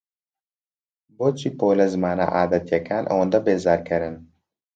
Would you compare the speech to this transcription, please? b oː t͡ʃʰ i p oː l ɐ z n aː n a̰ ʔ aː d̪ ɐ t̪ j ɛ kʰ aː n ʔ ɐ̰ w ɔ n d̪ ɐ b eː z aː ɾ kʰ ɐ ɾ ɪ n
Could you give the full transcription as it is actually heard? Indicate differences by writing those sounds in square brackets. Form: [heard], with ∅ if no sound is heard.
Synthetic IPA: b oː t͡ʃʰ i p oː l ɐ z [m] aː n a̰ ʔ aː d̪ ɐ t̪ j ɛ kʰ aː n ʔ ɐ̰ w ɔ n d̪ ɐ b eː z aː ɾ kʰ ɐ ɾ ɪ n